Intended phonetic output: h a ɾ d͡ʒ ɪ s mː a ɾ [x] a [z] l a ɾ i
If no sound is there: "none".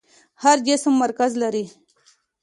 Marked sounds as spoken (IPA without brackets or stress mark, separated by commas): k, z